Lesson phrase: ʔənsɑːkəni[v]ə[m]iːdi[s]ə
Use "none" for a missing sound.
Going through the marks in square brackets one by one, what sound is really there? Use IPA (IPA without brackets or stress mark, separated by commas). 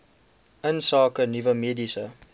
v, m, s